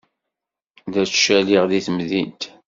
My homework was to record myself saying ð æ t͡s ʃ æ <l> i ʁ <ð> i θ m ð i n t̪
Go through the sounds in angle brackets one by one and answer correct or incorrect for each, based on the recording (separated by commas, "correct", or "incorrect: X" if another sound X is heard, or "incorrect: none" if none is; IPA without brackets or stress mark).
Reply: correct, correct